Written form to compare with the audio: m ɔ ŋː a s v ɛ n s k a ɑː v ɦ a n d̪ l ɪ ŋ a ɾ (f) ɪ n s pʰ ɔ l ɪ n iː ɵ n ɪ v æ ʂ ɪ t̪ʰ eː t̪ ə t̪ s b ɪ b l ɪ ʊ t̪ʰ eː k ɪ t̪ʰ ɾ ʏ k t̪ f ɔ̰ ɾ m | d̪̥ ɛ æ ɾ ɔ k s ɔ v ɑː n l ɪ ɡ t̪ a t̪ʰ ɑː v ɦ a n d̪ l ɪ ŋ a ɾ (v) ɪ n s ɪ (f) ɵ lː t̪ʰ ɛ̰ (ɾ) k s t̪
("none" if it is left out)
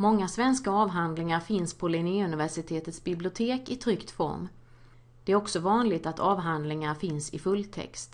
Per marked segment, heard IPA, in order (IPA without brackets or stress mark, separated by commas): f, f, f, none